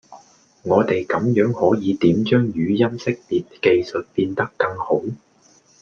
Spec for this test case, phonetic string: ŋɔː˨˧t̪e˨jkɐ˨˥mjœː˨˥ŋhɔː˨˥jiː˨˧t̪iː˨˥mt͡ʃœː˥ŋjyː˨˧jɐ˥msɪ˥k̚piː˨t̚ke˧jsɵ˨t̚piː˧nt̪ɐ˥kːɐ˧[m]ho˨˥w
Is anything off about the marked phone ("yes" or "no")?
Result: yes